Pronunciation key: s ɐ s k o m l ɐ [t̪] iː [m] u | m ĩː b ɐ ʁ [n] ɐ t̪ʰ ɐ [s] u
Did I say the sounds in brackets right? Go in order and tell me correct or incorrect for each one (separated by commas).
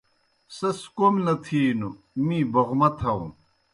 incorrect, incorrect, incorrect, incorrect